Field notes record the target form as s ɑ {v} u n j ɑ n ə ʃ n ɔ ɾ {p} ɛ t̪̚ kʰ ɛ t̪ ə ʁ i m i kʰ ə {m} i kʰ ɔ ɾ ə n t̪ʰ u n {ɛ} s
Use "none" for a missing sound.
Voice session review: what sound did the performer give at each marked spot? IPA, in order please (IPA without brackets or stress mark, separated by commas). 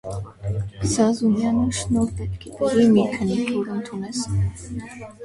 z, p, n, ɛ